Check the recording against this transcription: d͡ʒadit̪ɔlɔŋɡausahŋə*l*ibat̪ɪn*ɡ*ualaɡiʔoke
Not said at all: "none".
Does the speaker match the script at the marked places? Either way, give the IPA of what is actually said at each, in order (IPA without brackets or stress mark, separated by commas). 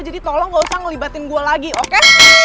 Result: l, ɡ